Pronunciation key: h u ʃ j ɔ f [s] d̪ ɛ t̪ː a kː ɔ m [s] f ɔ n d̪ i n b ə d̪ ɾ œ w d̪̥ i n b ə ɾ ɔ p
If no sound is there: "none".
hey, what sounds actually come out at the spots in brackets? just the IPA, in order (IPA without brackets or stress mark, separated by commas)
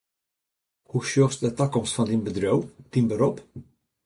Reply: s, s